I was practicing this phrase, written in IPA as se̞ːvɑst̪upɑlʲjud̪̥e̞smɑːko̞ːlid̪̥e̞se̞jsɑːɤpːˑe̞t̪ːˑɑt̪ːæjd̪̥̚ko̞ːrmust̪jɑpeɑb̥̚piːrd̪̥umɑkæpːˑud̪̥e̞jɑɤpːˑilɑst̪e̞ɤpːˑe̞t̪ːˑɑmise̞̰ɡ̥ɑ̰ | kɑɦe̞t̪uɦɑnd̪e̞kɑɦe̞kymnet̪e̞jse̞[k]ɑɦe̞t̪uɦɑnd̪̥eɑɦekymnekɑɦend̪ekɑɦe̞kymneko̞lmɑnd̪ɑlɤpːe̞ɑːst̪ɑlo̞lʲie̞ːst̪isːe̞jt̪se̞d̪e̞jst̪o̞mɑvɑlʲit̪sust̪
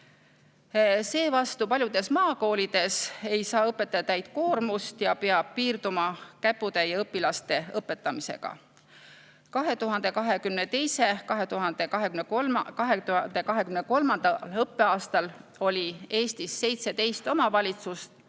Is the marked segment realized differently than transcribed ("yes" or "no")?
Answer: no